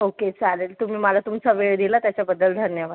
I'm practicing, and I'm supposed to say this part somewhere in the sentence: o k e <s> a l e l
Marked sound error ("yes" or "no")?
yes